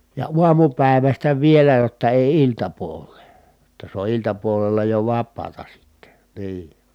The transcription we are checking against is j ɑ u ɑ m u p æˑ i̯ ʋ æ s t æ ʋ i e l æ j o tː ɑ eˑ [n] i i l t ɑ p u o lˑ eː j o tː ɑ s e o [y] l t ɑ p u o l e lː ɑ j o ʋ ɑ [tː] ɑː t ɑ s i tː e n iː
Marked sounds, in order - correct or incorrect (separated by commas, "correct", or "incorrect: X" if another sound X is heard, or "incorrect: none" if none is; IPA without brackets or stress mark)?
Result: incorrect: none, incorrect: i, incorrect: pː